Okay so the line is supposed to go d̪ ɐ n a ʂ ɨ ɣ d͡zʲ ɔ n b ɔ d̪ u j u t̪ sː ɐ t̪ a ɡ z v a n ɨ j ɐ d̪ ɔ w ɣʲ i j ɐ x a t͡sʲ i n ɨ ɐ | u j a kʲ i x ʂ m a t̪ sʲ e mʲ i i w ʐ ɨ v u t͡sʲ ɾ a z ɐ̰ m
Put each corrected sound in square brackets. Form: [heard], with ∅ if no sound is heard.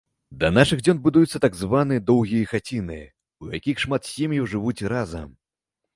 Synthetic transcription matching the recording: d̪ ɐ n a ʂ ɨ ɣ d͡zʲ ɔ n b [u] d̪ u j u t̪ sː ɐ t̪ a ɡ z v a n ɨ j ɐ d̪ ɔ w ɣʲ i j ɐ x a t͡sʲ i n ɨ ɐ | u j a kʲ i x ʂ m a t̪ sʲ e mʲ [j] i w ʐ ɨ v u t͡sʲ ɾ a z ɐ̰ m